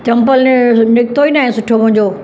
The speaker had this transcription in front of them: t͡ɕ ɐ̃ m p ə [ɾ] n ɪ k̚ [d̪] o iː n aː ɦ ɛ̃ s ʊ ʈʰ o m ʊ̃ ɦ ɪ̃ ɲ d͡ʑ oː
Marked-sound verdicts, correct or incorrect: incorrect: l, incorrect: t̪

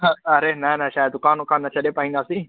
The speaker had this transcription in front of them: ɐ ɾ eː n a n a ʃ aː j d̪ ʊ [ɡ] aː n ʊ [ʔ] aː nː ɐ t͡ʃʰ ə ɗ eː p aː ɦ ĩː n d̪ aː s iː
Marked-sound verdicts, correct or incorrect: incorrect: k, incorrect: k

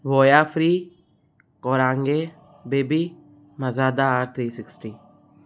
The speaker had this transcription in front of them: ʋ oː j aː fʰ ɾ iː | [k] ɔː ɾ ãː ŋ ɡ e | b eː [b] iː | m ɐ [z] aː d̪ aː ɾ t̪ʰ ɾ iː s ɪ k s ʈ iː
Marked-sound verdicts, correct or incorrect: correct, correct, correct

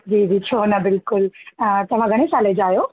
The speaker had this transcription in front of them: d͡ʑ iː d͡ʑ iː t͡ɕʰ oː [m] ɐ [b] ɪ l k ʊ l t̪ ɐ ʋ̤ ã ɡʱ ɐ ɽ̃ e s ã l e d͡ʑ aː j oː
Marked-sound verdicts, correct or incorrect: incorrect: n, correct

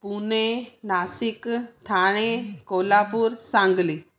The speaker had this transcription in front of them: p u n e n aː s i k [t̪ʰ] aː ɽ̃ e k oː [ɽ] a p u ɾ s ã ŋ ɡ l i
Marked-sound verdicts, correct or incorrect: correct, incorrect: l

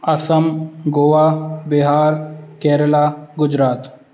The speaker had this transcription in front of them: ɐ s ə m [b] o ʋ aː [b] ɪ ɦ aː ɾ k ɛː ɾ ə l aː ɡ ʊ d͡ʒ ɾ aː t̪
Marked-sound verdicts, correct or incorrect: incorrect: ɡ, correct

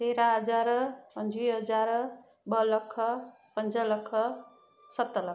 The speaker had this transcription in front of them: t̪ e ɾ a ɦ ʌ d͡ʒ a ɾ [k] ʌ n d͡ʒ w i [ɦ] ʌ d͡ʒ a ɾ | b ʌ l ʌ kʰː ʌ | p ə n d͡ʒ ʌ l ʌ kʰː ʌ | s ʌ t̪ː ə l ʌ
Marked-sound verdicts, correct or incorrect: incorrect: p, correct

